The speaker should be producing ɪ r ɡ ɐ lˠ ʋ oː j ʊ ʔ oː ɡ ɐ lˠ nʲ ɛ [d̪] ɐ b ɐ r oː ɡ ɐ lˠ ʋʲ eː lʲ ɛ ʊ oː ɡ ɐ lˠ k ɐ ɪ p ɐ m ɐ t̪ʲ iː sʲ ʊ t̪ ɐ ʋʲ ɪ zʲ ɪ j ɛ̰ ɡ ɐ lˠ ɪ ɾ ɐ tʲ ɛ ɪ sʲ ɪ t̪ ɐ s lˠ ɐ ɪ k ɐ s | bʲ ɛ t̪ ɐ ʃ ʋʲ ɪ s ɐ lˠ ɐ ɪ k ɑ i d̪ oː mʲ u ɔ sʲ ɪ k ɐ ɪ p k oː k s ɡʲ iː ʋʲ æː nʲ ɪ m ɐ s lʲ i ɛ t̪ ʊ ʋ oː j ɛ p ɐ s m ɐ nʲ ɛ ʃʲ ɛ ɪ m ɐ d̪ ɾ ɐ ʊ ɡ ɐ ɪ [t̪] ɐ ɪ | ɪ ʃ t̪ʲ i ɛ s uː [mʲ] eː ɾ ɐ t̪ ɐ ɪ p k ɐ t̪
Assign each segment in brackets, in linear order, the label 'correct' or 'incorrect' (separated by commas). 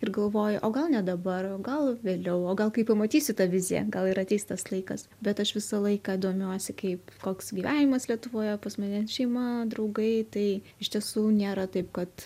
correct, correct, incorrect